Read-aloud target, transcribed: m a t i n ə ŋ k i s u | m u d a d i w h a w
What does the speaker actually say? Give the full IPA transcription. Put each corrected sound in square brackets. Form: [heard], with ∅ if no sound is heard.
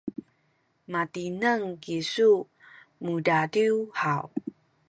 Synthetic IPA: m a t i n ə ŋ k i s u | m u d a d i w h a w